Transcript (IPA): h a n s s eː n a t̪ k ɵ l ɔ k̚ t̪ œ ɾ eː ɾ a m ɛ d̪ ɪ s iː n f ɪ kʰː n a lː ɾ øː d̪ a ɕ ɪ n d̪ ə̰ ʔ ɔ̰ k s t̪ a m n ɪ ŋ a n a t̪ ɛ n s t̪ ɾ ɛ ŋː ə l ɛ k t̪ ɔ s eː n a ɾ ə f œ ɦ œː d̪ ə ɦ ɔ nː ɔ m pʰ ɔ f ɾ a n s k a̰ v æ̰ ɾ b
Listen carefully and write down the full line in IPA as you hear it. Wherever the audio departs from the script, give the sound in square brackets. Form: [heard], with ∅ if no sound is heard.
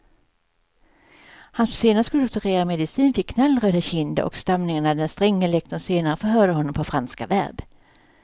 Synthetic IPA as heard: h a n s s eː n a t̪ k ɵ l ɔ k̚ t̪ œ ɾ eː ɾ a m ɛ d̪ ɪ s iː n f ɪ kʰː n a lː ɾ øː d̪ a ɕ ɪ n d̪ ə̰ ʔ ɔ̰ k s t̪ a m n ɪ ŋ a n a [d̪] ɛ n s t̪ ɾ ɛ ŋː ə l ɛ k t̪ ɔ s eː n a ɾ ə f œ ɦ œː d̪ ə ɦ ɔ nː ɔ m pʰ ɔ f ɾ a n s k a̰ v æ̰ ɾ b